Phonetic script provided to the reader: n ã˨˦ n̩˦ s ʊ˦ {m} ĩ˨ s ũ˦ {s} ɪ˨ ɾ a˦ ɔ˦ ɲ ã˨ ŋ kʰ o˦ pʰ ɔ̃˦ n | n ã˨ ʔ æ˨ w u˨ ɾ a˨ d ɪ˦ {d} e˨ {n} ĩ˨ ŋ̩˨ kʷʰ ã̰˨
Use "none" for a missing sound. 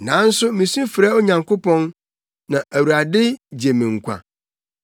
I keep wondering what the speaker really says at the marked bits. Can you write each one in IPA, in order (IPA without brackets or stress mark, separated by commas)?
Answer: m, f, d͡ʑ, m